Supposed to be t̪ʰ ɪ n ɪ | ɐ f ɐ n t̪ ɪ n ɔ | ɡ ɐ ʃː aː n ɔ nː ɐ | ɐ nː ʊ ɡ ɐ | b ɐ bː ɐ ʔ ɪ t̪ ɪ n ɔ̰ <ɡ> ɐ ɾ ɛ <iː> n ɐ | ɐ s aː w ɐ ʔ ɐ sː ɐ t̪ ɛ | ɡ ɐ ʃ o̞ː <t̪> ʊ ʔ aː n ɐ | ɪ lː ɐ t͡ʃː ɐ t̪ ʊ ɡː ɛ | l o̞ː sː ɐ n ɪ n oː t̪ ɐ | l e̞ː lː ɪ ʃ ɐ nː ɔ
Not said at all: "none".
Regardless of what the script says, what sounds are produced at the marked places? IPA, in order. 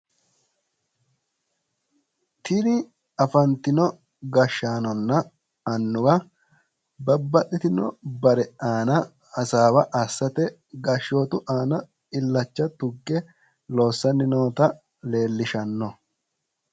b, aː, t̪

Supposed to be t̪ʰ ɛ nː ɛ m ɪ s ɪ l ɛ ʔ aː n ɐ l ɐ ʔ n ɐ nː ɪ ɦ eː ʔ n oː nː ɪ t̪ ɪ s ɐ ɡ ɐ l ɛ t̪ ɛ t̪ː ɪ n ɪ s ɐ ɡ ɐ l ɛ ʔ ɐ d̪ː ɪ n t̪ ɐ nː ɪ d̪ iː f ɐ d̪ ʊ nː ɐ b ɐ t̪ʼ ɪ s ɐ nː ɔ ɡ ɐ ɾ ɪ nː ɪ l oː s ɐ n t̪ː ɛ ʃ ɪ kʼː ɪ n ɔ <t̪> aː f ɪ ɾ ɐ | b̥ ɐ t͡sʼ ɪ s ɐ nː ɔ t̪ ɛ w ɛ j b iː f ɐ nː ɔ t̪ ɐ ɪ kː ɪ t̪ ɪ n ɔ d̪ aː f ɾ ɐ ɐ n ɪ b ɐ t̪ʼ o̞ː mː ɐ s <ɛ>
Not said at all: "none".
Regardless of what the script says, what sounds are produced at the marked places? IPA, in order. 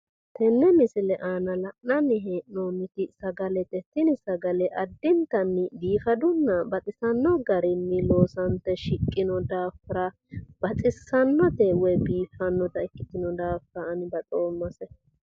d̪, ɛ

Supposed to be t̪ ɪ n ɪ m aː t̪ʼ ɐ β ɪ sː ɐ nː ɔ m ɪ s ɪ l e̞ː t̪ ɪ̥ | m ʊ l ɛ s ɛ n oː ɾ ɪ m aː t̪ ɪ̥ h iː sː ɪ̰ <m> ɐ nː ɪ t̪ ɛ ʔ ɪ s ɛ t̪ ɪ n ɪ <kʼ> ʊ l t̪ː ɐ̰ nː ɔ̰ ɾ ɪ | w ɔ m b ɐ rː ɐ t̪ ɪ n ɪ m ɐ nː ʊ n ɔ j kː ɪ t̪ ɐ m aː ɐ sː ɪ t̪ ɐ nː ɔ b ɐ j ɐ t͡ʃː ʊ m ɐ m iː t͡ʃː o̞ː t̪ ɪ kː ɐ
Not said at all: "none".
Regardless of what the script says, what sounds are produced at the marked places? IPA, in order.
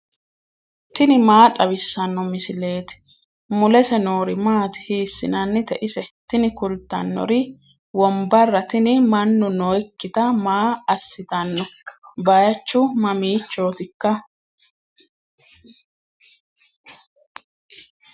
n, k

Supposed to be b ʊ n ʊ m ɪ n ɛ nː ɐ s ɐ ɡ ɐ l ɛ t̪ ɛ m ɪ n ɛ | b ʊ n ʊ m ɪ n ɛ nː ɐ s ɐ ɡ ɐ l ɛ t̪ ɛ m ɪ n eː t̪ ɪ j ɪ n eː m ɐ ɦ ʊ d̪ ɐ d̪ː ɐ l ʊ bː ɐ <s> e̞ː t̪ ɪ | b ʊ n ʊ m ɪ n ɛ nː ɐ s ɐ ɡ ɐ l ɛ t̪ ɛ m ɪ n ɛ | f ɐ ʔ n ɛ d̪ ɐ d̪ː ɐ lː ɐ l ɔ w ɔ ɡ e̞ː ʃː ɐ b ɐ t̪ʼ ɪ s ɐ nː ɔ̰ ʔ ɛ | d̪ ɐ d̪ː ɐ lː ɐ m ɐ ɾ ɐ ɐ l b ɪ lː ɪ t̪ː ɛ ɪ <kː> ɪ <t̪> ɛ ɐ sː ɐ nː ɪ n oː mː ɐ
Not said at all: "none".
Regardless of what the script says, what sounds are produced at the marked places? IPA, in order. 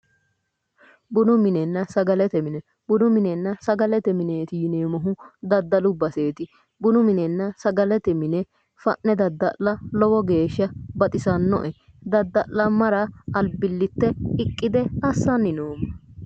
s, kʼː, d̪

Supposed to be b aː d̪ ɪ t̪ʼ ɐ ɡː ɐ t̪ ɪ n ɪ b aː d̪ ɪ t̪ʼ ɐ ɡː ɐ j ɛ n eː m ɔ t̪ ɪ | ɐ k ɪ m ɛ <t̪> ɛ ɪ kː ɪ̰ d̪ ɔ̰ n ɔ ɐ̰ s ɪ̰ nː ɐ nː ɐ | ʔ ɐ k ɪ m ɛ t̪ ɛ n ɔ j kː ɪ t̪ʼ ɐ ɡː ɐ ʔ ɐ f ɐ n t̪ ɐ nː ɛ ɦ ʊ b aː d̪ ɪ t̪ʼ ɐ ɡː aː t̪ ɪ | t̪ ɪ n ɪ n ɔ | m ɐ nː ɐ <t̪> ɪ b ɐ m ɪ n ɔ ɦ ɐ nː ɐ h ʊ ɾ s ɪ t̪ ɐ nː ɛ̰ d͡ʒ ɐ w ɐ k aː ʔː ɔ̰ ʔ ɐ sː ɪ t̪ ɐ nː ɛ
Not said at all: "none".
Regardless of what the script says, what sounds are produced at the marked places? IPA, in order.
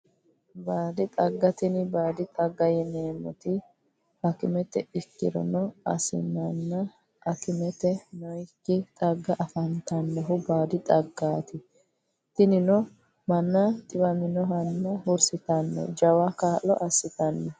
t̪, t̪ʼ

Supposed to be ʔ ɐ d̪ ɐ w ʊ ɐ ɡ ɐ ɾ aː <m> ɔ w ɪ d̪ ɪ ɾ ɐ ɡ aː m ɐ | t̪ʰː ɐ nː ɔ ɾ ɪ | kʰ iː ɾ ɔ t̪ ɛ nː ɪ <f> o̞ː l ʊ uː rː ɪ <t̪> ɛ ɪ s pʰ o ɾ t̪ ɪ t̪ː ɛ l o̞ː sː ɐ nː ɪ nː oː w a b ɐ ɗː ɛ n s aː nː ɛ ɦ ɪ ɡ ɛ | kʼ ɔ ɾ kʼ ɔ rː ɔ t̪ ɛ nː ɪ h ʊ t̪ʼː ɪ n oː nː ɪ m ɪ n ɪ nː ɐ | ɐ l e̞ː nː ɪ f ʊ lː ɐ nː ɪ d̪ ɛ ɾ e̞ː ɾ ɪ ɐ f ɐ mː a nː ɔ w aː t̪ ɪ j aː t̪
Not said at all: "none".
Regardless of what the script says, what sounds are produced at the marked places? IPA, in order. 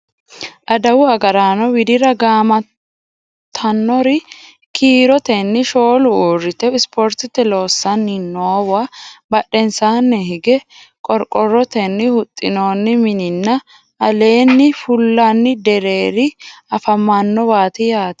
n, ʃ, t̪

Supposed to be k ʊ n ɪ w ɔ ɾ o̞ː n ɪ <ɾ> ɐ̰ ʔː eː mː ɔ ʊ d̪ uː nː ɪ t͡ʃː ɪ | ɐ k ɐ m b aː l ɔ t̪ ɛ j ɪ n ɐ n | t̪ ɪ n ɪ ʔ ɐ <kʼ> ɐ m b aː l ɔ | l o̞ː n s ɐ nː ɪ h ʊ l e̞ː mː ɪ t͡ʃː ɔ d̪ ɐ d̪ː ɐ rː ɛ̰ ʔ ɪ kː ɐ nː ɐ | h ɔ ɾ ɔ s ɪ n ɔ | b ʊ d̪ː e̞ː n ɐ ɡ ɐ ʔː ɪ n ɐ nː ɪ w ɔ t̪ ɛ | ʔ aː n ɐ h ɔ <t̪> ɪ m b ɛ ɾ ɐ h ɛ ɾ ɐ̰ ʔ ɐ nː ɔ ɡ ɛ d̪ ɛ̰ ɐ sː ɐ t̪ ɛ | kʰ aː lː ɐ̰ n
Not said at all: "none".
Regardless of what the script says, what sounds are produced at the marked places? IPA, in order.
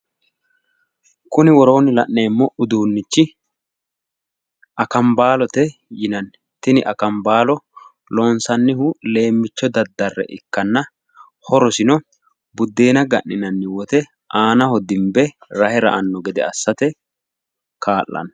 l, k, d̪

